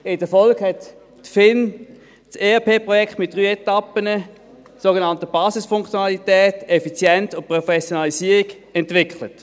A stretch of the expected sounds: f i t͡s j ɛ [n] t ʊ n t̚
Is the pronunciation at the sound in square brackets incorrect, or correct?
correct